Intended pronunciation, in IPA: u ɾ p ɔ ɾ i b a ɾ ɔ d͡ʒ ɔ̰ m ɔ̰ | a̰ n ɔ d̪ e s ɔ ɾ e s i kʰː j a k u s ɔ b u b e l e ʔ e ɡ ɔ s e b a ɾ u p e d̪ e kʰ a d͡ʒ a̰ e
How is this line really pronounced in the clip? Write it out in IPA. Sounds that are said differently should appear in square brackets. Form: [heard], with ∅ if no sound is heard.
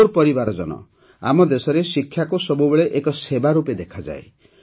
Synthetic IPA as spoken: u ɾ p ɔ ɾ i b a ɾ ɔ d͡ʒ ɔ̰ [n] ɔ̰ | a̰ [m] ɔ d̪ e s ɔ ɾ e s i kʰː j a k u s ɔ b u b e [ɭ] e ʔ e [k] ɔ s e b a ɾ u p e d̪ e kʰ a d͡ʒ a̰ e